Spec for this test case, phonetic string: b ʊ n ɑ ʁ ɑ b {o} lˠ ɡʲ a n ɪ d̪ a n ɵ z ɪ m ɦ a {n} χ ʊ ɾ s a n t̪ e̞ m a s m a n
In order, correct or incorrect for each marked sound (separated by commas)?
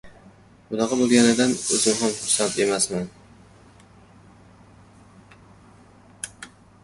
correct, incorrect